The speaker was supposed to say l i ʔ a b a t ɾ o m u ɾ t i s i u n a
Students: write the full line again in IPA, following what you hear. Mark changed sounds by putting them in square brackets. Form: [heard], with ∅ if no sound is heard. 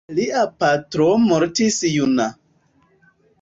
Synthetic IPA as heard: l i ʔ a [p] a t ɾ o m [o] ɾ t i s [j] u n a